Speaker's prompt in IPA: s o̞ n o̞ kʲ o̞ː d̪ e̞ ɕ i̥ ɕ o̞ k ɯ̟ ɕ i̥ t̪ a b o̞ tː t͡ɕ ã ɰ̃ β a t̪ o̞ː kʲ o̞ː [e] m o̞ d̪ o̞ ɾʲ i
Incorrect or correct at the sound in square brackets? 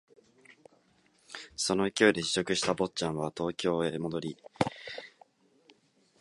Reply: correct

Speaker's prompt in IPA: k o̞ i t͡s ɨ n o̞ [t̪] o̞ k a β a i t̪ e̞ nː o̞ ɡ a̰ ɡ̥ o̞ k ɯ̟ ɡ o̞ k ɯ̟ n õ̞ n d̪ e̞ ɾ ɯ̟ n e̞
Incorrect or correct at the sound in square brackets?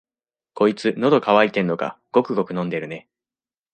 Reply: incorrect: d̪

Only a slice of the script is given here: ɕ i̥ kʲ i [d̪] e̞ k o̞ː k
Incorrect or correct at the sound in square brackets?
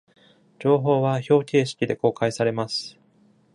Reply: correct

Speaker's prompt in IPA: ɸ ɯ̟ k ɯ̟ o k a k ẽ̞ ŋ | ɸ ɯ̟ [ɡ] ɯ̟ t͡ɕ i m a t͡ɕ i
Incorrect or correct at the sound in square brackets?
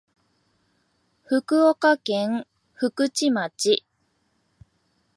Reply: incorrect: k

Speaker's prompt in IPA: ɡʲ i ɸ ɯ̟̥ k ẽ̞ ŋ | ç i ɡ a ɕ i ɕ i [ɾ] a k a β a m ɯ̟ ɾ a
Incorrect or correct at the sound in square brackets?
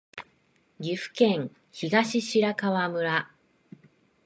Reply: correct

